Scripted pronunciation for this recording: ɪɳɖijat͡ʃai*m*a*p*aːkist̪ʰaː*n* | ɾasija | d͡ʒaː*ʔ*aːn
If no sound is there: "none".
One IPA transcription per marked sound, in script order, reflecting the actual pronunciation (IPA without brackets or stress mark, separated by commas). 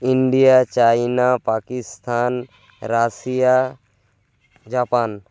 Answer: n, p, n, p